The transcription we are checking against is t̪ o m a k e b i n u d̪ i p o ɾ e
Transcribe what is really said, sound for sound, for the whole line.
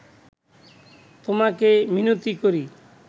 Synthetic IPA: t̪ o m a k e m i n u t̪ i k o ɾ i